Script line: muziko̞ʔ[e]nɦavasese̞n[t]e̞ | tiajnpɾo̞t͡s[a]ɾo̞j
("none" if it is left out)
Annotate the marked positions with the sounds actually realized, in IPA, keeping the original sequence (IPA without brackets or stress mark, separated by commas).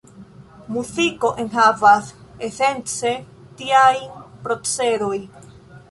e, t͡s, e